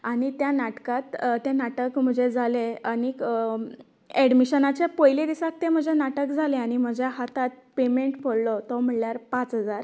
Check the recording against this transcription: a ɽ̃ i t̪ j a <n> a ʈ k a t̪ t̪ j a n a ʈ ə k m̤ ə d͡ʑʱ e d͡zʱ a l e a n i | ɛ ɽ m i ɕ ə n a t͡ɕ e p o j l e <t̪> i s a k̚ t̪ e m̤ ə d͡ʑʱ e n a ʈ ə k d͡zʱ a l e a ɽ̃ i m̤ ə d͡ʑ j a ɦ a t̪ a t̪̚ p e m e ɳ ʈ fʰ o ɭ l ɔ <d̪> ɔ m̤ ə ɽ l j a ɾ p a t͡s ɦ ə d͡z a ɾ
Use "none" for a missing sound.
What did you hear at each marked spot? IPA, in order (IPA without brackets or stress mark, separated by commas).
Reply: n, d̪, t̪